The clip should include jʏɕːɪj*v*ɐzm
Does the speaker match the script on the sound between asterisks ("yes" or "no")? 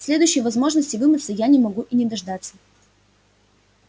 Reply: yes